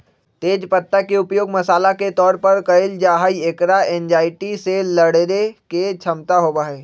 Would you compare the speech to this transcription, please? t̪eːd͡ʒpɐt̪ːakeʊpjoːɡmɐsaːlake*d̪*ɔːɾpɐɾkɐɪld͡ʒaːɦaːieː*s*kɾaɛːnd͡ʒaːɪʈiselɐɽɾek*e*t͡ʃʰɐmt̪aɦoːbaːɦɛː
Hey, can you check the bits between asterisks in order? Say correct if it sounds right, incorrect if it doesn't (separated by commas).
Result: incorrect, incorrect, correct